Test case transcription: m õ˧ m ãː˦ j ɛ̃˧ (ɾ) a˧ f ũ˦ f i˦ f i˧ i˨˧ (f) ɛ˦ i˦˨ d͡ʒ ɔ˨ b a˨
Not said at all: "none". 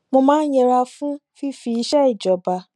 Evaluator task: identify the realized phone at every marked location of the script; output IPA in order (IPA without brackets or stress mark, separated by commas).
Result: ɾ, ʃ